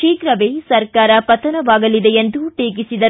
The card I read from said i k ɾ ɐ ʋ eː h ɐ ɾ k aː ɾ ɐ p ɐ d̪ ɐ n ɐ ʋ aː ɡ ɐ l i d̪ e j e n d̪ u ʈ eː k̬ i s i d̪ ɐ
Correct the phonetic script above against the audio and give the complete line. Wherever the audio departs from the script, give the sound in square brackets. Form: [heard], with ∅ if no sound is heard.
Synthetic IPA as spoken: [iː] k ɾ ɐ ʋ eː [s] ɐ ɾ k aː ɾ ɐ p ɐ [t̪] ɐ n ɐ ʋ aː ɡ ɐ l i d̪ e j e n d̪ u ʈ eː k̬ i s i d̪ ɐ